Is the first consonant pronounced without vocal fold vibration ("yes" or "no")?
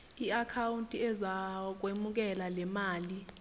yes